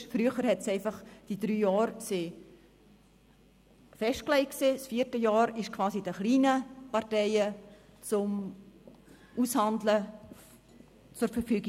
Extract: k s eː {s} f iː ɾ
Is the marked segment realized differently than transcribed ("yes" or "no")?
no